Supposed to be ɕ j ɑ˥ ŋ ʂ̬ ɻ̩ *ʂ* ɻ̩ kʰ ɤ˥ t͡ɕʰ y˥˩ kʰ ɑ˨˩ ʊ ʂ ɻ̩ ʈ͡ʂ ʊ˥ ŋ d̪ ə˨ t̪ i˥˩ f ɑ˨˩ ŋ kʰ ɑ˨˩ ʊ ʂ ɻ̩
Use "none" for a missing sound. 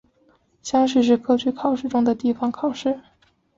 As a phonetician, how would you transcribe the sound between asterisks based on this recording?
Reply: ʂ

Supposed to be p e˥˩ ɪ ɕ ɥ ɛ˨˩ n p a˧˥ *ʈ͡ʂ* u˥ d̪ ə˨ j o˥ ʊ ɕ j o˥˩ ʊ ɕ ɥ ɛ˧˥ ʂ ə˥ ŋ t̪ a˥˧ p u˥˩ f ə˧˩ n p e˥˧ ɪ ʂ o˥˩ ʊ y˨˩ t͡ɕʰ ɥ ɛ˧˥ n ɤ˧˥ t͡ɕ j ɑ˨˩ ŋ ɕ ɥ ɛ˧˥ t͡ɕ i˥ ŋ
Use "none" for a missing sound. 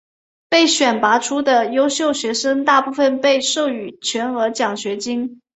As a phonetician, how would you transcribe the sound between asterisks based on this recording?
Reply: ʈ͡ʂʰ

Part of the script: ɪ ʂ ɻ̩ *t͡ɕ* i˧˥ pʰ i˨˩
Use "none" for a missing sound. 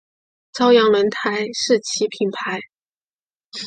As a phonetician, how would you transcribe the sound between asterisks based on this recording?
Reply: t͡ɕʰ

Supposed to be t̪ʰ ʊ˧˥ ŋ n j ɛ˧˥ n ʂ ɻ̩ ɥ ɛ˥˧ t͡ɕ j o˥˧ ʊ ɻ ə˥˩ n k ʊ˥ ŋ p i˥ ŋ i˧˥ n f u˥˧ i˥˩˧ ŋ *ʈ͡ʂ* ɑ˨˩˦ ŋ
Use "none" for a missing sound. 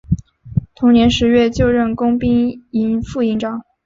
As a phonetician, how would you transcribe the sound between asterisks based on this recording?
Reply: ʈ͡ʂ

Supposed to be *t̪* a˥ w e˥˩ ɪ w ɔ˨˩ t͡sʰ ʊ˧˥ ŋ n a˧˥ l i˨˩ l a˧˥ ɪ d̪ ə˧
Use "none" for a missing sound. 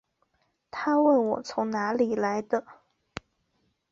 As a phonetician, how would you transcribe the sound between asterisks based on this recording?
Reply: t̪ʰ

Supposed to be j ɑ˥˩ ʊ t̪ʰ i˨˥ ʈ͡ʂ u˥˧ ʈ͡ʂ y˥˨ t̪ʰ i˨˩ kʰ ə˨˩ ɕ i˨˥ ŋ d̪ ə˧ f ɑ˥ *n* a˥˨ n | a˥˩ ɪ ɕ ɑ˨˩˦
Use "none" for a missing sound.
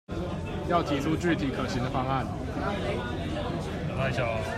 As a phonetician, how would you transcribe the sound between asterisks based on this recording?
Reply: ŋ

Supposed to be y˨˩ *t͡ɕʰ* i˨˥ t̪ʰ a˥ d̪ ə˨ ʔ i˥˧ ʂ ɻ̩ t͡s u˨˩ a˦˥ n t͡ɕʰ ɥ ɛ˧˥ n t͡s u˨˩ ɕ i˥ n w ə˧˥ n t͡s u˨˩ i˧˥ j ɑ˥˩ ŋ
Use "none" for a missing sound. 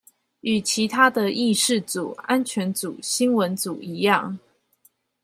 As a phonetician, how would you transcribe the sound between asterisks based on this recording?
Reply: t͡ɕʰ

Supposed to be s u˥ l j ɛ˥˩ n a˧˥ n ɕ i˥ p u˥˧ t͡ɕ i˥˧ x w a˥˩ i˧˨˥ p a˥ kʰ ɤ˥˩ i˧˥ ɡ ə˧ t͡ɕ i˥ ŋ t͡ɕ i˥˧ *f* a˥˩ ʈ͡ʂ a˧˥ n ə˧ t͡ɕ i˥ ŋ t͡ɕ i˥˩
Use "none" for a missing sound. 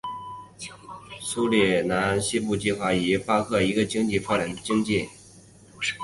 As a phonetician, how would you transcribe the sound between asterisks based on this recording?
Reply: f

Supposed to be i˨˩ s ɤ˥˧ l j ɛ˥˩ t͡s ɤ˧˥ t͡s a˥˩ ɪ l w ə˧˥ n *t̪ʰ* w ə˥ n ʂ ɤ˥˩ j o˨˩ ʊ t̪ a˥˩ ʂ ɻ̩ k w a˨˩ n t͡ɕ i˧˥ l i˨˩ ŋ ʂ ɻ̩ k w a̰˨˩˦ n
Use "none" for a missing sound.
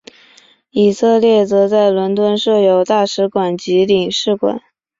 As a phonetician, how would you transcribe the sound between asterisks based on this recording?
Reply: t̪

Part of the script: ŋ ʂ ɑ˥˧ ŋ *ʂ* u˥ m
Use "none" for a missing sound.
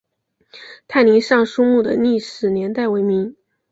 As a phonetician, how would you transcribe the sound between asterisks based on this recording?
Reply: ʂ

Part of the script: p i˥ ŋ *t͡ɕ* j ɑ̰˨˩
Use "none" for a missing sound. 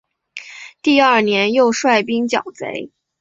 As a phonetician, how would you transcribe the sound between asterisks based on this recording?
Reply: t͡ɕ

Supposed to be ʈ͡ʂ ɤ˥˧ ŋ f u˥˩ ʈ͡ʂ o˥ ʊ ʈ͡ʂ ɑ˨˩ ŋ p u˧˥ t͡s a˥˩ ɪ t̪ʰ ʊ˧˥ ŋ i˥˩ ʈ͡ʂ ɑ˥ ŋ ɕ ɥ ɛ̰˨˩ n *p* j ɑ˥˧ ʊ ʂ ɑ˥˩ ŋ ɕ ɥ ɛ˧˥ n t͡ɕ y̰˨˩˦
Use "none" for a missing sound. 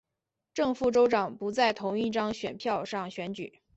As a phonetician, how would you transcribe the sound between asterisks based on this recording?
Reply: pʰ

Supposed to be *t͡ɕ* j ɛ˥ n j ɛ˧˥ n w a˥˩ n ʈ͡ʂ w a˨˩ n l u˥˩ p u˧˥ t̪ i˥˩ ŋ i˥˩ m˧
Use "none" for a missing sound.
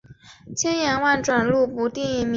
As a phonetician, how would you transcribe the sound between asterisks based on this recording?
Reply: t͡ɕʰ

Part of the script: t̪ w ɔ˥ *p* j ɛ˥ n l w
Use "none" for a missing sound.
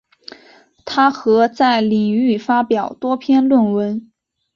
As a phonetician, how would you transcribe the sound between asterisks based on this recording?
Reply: pʰ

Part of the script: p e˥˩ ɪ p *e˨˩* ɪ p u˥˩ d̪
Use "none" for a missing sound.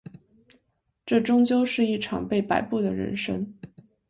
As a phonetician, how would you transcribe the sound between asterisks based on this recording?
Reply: a˨˩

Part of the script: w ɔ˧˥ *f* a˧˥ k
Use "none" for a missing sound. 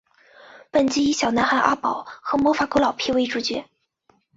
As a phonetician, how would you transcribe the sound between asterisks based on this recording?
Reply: f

